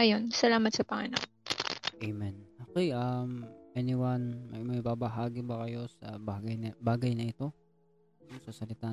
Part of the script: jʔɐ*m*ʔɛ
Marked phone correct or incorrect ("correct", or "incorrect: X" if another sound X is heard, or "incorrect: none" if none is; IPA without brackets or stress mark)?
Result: correct